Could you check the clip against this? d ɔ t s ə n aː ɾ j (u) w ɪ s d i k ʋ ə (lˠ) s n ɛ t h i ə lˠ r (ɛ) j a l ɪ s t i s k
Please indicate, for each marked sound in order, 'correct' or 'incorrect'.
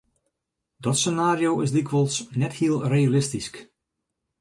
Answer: incorrect, correct, incorrect

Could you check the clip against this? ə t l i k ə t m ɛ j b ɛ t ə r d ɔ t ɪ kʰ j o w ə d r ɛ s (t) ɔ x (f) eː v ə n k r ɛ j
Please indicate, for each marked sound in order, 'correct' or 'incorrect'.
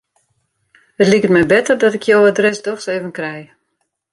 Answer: incorrect, incorrect

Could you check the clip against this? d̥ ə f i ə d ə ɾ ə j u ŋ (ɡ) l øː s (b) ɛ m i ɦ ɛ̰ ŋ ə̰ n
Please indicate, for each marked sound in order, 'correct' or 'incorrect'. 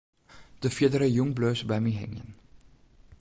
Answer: incorrect, correct

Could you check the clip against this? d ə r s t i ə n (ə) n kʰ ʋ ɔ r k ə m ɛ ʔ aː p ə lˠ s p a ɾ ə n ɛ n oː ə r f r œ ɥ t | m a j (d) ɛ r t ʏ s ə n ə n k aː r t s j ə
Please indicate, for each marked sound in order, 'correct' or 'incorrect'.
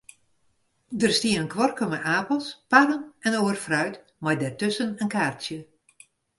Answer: correct, correct

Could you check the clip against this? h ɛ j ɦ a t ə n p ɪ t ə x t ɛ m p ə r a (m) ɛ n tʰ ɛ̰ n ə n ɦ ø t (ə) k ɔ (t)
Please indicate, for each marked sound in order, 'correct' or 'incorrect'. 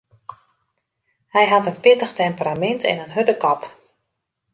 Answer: correct, correct, incorrect

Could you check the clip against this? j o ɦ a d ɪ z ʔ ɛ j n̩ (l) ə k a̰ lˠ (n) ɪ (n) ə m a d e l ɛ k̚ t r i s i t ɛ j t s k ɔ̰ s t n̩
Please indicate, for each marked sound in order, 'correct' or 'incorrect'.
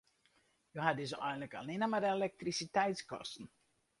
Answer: correct, correct, correct

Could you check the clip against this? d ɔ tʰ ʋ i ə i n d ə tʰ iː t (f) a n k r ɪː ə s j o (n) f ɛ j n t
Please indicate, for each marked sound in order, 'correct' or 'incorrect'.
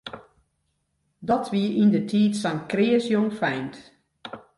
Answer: incorrect, incorrect

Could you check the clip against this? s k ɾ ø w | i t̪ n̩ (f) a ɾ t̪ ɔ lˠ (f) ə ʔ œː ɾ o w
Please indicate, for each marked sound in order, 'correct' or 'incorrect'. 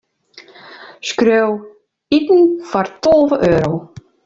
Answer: correct, incorrect

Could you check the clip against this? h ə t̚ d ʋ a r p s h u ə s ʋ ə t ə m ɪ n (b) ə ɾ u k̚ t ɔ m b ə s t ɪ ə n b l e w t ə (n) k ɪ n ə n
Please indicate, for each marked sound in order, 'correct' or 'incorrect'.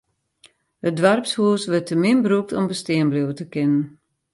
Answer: correct, incorrect

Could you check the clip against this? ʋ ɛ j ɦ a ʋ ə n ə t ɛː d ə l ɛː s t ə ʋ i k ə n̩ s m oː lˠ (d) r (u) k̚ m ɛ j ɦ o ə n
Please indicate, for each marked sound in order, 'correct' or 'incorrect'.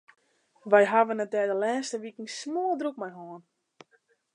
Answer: correct, correct

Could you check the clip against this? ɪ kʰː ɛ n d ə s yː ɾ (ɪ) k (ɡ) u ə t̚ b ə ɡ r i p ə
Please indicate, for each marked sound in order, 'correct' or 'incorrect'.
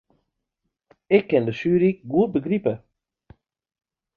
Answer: incorrect, correct

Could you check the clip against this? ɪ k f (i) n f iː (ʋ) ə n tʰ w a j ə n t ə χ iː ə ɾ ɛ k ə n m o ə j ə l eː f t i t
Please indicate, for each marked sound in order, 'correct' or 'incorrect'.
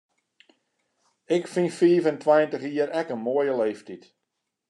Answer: correct, incorrect

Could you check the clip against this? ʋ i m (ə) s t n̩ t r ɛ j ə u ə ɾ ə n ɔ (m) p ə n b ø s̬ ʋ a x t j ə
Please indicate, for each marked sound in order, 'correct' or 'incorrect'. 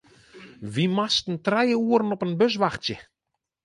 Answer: incorrect, incorrect

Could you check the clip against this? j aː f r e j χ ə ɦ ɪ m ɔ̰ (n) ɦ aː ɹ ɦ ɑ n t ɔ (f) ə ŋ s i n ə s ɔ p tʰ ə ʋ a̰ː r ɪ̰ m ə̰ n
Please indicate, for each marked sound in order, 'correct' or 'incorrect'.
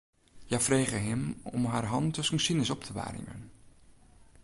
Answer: incorrect, incorrect

